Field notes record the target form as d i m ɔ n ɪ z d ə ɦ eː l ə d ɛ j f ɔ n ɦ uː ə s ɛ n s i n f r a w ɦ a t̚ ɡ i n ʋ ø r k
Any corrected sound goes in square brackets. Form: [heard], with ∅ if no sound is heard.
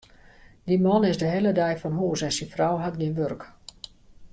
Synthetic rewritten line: d i m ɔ n ɪ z d ə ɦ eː l ə d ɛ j f ɔ n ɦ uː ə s ɛ n s i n f r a w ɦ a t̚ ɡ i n ʋ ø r k